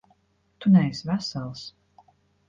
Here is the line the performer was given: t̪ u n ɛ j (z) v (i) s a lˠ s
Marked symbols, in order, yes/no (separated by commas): no, no